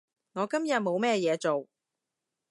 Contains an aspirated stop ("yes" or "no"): no